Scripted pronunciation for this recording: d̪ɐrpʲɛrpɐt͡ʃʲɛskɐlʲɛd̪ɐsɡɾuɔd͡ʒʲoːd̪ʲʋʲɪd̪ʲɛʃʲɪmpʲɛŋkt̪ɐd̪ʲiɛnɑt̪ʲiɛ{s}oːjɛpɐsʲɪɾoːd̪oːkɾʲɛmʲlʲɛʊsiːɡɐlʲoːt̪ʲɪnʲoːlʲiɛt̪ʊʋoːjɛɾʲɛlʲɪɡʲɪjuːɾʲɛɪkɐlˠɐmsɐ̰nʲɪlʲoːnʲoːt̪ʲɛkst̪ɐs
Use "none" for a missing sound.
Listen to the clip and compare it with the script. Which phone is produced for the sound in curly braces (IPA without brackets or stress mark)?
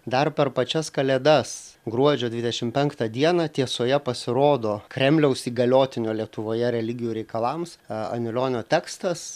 s